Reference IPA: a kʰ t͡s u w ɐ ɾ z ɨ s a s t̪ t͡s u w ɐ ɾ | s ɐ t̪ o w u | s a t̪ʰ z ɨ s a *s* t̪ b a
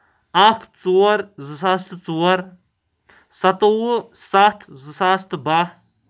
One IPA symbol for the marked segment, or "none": s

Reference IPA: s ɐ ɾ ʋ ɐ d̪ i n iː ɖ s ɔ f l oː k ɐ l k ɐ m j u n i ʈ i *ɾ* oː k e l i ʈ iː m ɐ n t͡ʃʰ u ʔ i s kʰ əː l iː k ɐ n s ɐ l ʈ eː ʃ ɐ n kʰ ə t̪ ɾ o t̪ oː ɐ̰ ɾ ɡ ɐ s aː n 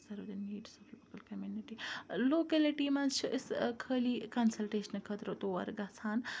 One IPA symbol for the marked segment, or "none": l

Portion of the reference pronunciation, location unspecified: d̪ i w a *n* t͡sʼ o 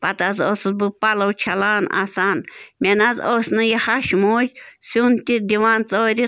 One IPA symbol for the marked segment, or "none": n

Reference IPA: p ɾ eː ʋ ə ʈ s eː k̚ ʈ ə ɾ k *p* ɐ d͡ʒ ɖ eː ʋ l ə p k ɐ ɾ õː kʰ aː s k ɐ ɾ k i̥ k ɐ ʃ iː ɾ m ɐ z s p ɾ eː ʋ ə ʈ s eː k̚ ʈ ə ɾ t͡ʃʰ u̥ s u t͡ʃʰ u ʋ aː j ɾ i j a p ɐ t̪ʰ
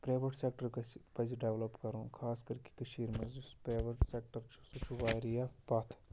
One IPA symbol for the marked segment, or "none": p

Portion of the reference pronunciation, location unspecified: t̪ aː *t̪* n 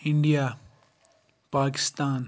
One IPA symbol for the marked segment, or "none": none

